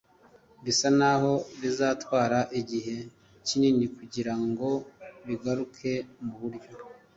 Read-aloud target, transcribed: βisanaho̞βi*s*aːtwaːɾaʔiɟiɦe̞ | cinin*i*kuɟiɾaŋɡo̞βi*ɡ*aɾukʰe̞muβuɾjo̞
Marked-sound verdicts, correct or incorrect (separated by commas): incorrect, correct, correct